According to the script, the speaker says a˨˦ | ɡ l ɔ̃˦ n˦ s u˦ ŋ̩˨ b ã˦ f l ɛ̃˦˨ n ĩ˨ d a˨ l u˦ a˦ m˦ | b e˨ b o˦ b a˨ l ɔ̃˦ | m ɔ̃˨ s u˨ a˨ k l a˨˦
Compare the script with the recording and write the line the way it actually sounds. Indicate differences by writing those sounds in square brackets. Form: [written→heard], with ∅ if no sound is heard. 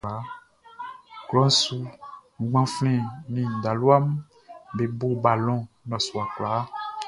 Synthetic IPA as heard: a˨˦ | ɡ l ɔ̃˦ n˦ s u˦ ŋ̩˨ [b→ɡ͡b] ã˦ f l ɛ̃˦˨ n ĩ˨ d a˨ l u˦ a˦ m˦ | b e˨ b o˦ b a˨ l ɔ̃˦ | [m→n] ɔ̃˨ s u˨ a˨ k l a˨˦